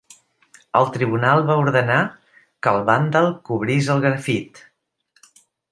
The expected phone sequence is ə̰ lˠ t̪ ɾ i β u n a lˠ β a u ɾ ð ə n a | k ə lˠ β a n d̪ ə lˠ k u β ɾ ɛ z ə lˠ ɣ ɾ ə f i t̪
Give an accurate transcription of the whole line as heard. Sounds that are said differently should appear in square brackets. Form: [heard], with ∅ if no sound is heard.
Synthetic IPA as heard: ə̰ lˠ t̪ ɾ i β u n a lˠ β a u ɾ ð ə n a | k ə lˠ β a n d̪ ə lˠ k u β ɾ [i] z ə lˠ ɣ ɾ ə f i t̪